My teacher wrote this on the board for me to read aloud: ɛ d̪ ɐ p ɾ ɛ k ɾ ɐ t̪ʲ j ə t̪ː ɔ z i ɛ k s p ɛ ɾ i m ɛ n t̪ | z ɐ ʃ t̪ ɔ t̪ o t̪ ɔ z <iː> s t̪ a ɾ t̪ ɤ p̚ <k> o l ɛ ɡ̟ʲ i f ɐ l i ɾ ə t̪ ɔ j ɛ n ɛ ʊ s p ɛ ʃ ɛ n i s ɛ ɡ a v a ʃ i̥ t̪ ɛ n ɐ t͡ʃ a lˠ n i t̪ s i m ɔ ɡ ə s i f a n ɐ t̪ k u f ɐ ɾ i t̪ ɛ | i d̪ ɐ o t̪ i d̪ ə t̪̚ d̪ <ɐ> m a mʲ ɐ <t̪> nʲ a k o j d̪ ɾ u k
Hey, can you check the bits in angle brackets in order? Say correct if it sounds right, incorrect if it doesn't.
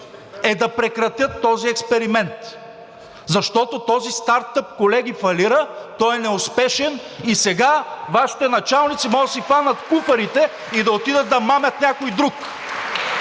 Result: incorrect: i, correct, correct, correct

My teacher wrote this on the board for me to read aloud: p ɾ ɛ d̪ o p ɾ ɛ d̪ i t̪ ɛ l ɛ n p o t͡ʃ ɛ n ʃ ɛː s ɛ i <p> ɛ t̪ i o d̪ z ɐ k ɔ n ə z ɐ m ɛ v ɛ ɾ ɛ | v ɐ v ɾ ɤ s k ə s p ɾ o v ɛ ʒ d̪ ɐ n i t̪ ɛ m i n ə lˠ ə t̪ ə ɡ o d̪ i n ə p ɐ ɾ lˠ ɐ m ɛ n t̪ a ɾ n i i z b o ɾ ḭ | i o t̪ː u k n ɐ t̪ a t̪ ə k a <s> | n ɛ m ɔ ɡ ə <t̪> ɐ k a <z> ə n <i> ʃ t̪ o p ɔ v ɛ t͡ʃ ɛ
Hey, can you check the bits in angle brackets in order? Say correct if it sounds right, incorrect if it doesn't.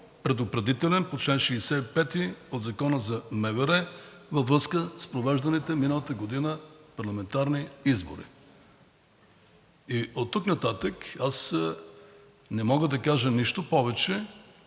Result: correct, correct, incorrect: d̪, incorrect: ʒ, correct

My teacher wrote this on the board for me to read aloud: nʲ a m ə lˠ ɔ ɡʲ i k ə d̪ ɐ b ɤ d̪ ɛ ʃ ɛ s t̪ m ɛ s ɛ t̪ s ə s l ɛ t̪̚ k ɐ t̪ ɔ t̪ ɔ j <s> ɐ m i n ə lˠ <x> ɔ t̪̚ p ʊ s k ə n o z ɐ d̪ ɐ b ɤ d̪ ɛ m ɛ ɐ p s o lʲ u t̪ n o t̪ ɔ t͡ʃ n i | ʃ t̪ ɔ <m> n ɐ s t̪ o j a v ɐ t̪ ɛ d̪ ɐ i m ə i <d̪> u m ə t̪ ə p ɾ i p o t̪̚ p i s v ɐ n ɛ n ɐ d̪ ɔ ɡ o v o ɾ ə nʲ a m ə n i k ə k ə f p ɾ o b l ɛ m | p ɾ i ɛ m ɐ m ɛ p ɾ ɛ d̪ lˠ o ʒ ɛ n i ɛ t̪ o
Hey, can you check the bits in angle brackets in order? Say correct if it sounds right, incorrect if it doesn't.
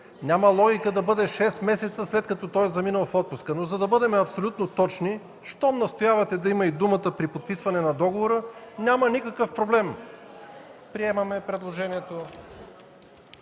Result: incorrect: z, incorrect: f, correct, correct

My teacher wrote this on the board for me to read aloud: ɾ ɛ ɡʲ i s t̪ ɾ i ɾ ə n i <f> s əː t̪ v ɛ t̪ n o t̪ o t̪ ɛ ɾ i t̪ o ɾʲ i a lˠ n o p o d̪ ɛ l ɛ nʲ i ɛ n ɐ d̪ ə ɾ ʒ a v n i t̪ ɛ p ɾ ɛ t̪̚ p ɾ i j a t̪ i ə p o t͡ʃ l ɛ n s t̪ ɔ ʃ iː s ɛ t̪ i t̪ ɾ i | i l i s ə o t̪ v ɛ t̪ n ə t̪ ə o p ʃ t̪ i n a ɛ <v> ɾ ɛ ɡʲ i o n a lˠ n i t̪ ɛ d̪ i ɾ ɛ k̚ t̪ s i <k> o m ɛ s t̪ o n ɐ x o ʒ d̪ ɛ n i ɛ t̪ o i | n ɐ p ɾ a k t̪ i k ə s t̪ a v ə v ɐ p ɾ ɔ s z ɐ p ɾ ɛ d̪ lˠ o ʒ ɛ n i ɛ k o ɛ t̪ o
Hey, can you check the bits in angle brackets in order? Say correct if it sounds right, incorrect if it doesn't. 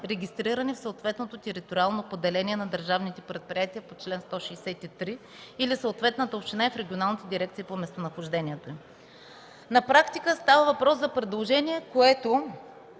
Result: correct, incorrect: f, incorrect: p

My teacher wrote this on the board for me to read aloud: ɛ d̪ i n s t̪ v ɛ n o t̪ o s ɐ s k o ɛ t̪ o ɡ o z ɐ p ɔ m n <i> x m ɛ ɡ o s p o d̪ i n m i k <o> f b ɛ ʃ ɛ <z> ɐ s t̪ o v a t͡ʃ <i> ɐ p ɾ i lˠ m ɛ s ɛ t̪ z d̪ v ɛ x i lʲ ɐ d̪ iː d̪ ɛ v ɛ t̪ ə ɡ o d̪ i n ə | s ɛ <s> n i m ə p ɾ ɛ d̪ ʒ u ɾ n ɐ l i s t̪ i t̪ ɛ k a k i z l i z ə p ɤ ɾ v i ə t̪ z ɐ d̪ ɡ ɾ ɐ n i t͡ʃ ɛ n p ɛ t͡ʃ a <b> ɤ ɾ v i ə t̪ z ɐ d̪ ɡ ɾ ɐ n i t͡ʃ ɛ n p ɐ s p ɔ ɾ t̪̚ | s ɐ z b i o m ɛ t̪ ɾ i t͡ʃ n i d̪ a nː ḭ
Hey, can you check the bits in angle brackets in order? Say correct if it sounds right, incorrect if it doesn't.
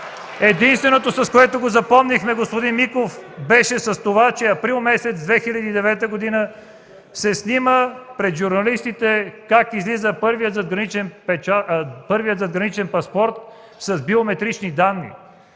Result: correct, correct, incorrect: s, incorrect: ɛ, correct, incorrect: p

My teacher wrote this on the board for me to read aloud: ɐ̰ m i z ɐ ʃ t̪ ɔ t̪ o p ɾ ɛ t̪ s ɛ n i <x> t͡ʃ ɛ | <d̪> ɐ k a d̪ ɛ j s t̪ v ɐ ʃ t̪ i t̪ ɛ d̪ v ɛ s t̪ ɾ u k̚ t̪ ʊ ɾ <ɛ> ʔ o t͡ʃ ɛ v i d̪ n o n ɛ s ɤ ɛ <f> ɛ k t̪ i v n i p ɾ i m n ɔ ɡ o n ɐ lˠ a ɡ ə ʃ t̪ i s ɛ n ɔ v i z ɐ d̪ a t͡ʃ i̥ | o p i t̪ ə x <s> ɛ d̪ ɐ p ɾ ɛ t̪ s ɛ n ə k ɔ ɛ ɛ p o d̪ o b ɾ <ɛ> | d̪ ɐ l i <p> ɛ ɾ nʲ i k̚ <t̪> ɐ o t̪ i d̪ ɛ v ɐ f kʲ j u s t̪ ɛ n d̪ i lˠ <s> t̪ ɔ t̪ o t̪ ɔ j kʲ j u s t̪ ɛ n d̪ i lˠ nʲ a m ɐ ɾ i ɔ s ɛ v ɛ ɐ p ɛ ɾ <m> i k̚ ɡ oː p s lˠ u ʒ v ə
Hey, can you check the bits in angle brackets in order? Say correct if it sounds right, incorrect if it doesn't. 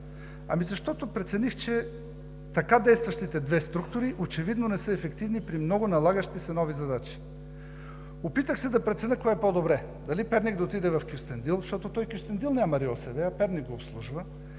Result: correct, incorrect: t̪, incorrect: i, correct, correct, correct, correct, incorrect: d̪, incorrect: ʃ, incorrect: n

